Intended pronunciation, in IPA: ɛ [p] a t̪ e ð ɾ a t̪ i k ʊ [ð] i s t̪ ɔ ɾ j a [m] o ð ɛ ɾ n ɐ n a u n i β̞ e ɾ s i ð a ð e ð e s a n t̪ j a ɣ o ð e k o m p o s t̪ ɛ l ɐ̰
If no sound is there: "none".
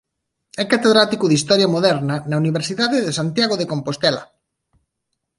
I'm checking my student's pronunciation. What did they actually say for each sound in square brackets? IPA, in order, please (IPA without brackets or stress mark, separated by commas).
k, ð, m